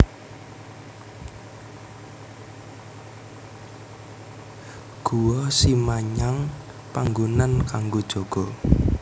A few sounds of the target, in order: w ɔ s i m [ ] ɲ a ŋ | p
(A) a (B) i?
A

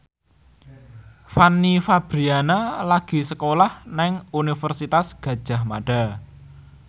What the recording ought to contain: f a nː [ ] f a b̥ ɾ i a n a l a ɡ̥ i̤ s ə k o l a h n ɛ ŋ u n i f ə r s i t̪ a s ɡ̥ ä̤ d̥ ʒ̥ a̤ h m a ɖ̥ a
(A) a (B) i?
B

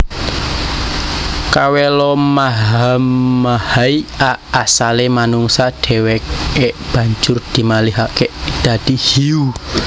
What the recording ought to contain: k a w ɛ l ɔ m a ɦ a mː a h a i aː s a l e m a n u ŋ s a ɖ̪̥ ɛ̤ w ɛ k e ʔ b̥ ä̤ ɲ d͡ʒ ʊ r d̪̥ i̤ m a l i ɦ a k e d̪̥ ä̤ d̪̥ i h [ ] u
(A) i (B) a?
A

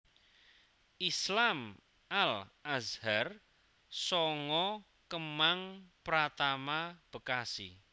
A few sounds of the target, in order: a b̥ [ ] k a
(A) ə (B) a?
A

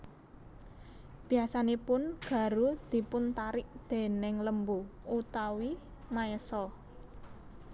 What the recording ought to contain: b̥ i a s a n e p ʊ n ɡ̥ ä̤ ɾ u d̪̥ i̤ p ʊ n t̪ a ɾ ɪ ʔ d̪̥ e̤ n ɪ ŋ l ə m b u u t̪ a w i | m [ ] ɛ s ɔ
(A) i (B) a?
B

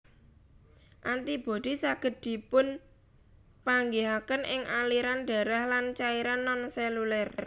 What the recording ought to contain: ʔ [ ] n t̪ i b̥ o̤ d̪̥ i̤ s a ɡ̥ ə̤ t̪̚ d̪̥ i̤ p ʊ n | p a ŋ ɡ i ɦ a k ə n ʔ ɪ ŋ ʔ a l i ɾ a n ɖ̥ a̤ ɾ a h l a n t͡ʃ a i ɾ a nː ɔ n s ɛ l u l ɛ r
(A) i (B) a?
B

